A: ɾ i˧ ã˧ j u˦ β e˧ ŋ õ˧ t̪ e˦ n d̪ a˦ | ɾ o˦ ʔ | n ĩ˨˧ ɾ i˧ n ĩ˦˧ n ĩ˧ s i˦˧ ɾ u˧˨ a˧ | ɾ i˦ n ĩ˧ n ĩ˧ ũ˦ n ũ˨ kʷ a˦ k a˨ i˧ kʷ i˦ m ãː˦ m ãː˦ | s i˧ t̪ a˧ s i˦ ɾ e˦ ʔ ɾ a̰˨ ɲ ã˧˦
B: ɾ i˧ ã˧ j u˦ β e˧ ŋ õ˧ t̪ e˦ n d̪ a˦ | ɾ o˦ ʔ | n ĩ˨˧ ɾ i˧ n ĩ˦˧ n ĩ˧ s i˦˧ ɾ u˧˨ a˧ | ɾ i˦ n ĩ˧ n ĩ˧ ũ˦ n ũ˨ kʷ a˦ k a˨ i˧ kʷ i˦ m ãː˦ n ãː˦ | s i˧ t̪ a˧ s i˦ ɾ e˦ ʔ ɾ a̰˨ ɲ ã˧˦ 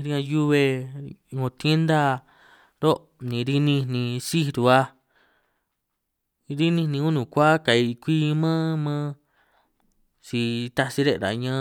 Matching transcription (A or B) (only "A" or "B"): A